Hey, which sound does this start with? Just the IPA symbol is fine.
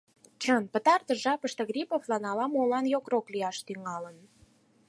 t͡ɕ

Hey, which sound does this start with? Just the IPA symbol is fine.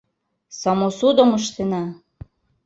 s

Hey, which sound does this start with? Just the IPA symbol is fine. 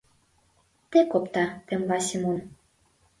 t̪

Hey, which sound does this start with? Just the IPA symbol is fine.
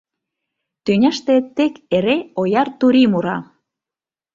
t̪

